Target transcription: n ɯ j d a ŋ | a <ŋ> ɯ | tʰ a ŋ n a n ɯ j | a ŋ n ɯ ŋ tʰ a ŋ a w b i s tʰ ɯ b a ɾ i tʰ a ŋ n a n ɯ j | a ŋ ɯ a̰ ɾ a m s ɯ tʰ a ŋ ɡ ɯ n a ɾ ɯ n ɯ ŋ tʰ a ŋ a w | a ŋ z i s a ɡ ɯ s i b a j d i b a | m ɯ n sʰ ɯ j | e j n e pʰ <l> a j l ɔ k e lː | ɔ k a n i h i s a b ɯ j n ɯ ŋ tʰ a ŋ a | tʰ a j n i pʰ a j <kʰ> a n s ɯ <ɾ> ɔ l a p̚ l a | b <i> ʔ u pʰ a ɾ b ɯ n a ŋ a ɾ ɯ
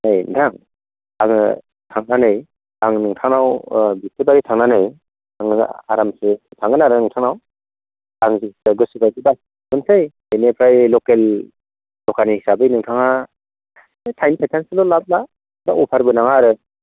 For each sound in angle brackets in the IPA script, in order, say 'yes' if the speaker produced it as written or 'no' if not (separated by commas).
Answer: yes, no, no, no, no